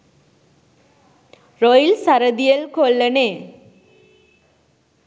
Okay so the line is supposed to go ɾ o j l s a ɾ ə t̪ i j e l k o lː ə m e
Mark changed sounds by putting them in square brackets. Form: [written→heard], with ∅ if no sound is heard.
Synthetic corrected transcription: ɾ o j l s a ɾ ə [t̪→d̪] i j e l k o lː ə [m→n] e